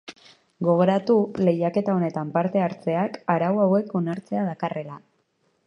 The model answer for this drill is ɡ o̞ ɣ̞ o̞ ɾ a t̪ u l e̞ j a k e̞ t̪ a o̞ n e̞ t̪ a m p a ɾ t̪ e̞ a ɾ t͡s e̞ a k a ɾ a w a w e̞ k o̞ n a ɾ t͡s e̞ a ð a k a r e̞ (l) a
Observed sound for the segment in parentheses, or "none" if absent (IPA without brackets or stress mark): l